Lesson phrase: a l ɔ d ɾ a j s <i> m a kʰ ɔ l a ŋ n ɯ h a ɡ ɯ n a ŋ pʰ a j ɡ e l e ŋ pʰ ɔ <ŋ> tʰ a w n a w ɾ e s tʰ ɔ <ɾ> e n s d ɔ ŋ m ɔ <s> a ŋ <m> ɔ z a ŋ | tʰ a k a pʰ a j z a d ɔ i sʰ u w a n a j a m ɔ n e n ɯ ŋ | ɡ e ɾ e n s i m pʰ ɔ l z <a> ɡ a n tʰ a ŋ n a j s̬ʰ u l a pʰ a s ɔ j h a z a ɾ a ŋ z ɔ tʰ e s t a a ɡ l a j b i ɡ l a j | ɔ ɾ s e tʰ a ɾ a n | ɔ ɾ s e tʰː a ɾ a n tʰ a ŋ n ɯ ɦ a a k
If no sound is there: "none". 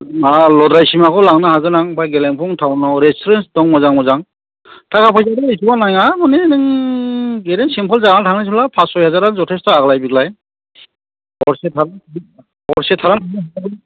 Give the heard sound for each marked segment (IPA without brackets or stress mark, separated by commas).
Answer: i, ŋ, ɾ, z, m, a